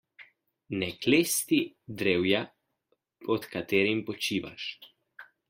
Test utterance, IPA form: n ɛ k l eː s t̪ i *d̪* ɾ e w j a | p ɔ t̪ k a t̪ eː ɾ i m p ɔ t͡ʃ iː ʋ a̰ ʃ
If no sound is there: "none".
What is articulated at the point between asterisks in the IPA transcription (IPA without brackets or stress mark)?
d̪